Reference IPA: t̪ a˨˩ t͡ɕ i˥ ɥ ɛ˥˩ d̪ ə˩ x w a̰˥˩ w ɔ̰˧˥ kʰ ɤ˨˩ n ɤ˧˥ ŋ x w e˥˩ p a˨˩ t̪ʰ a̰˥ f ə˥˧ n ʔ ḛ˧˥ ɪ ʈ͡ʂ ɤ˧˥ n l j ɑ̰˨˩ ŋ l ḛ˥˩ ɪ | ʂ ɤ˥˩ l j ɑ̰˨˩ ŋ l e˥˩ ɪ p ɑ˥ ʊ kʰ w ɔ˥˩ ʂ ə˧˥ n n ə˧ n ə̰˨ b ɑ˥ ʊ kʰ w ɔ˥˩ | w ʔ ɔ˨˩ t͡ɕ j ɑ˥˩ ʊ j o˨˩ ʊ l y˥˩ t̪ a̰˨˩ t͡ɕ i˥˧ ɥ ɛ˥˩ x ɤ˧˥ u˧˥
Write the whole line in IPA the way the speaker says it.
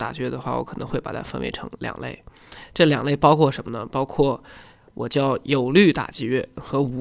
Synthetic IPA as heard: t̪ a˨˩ t͡ɕ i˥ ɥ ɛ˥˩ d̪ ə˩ x w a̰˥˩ w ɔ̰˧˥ kʰ ɤ˨˩ n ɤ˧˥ ŋ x w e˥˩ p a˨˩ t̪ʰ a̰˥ f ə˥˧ n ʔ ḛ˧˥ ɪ ʈ͡ʂʰ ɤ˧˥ ŋ l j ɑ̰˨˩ ŋ l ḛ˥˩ ɪ | ʈ͡ʂ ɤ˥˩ l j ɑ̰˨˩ ŋ l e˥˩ ɪ p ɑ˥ ʊ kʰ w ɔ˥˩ ʂ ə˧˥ n m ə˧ n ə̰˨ p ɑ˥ ʊ kʰ w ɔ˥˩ | w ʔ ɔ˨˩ t͡ɕ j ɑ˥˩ ʊ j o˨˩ ʊ l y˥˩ t̪ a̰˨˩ t͡ɕ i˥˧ ɥ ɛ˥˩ x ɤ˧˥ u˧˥